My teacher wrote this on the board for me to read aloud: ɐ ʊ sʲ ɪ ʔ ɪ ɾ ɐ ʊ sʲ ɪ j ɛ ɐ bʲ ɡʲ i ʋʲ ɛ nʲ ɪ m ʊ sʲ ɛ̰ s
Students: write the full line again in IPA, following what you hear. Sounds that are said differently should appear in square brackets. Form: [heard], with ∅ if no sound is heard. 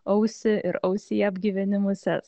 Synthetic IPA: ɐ ʊ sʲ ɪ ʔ ɪ ɾ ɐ ʊ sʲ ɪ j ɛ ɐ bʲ ɡʲ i ʋʲ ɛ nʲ ɪ m ʊ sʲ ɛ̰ s